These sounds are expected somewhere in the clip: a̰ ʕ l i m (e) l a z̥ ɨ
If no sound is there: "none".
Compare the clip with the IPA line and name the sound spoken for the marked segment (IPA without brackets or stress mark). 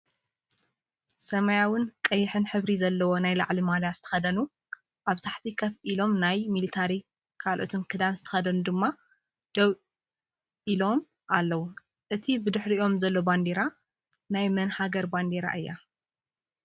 a